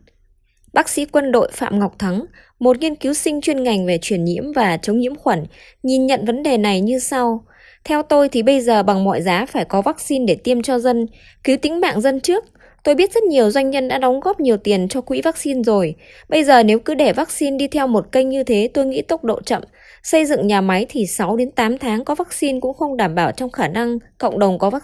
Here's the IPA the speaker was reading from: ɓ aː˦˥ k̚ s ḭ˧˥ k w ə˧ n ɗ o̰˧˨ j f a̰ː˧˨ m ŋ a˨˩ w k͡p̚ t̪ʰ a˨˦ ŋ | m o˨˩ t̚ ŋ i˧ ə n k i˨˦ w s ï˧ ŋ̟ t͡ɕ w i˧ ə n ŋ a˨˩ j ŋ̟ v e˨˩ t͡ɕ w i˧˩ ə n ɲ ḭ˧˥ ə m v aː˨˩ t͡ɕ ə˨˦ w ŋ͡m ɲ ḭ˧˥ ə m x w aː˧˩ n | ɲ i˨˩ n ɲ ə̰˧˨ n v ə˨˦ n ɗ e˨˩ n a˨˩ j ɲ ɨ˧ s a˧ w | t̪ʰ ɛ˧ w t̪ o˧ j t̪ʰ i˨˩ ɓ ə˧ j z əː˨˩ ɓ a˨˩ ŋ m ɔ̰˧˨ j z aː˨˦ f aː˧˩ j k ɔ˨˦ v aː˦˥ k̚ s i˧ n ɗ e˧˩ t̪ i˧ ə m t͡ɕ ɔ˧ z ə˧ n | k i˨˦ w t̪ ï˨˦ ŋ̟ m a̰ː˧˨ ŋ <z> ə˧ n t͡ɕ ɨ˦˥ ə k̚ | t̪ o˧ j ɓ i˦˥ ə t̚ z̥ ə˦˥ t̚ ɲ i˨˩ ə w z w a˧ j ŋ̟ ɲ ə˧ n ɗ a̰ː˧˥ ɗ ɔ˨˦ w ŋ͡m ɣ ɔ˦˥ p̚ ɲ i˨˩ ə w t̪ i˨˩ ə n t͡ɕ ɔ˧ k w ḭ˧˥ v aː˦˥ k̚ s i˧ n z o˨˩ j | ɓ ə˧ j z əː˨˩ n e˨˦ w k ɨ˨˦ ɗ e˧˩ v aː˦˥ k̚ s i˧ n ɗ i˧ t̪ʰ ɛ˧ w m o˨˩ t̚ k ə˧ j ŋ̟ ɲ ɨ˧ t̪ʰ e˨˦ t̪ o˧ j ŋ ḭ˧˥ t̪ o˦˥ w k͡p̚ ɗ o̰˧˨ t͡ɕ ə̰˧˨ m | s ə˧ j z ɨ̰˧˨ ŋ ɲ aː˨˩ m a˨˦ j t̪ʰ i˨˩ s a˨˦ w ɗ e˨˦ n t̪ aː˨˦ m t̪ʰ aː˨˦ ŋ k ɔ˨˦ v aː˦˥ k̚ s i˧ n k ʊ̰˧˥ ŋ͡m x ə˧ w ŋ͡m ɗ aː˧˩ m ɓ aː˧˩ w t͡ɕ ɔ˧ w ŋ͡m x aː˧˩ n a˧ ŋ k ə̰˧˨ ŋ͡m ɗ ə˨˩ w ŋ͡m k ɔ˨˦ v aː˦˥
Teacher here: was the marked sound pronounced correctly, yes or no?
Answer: yes